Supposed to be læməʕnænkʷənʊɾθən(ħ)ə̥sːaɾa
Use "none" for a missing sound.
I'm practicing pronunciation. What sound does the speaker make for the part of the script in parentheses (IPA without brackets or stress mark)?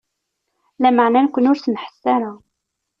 ħ